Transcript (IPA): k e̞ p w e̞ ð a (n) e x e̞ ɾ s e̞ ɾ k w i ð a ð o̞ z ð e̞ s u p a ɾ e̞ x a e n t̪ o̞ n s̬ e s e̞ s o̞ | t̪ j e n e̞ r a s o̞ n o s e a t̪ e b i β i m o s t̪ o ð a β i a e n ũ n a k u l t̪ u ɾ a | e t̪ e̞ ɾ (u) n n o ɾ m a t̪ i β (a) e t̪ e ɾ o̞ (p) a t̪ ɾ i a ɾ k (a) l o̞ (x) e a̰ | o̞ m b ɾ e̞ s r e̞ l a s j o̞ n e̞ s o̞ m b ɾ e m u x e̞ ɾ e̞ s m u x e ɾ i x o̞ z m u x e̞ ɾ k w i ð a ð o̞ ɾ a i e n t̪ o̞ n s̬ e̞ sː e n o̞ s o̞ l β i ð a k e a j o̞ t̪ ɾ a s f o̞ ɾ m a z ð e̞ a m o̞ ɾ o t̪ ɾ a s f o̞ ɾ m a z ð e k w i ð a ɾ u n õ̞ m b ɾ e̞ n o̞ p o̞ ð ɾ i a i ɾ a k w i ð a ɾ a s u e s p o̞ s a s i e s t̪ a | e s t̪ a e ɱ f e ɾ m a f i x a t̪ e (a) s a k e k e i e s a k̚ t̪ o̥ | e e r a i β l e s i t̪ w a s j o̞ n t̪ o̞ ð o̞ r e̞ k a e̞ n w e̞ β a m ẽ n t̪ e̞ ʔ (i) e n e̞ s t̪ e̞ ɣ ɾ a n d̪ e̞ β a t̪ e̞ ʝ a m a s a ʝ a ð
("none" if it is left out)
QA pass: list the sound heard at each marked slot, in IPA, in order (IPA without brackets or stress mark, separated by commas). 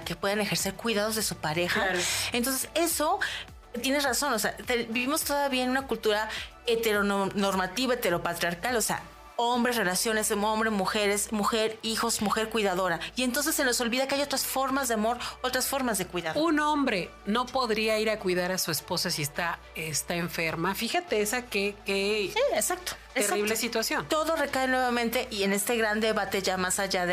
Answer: n, o, a, p, a, s, e, i